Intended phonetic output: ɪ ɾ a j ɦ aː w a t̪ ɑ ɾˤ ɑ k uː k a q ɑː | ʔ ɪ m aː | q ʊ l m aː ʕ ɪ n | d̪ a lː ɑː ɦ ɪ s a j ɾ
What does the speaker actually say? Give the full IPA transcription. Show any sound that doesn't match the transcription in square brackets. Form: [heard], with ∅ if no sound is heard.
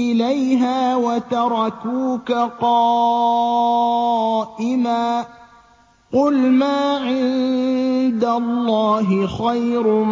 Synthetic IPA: ɪ [l] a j ɦ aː w a t̪ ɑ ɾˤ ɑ k uː k a q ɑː | ʔ ɪ m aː | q ʊ l m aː ʕ ɪ n | d̪ a lː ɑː ɦ ɪ [x] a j ɾ